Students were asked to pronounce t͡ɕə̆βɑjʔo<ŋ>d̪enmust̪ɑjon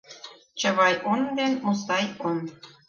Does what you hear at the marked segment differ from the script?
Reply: yes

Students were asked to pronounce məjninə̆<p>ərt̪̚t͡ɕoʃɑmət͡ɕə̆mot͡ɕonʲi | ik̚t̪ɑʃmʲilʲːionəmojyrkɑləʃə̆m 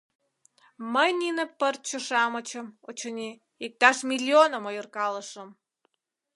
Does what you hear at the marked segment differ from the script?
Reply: no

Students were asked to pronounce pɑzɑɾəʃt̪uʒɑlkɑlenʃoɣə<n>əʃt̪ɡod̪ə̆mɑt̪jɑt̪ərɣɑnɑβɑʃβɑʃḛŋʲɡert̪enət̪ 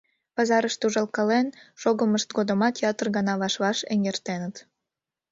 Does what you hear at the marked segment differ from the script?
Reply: yes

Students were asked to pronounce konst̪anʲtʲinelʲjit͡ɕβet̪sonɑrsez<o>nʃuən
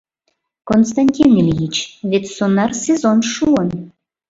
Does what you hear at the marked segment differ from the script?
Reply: no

